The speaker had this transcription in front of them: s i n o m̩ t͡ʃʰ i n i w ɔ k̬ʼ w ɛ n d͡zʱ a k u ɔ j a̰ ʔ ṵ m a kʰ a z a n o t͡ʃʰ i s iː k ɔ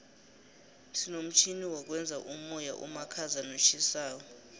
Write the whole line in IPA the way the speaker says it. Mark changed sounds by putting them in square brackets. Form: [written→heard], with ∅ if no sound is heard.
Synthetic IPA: s i n o m̩ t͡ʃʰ i n i w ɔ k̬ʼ w ɛ n d͡zʱ a [k→ʔ] u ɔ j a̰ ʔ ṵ m a kʰ a z a n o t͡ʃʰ i s [iː→aː] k ɔ